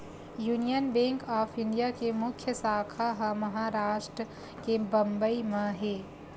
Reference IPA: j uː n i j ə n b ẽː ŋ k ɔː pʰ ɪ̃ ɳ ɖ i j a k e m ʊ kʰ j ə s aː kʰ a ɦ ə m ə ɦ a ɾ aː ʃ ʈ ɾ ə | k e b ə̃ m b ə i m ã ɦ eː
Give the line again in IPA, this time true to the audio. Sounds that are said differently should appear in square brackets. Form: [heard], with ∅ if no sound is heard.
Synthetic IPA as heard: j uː n i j ə n b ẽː ŋ k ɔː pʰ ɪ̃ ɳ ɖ i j a k e m ʊ kʰ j ə s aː kʰ a ɦ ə m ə ɦ a ɾ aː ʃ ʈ ɾ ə | k e b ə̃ m b ə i m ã ɦ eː